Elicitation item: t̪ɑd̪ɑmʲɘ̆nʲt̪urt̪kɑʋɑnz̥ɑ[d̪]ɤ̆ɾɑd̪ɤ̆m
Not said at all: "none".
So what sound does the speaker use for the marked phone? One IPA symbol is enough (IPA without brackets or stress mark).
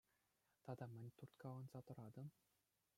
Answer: t̪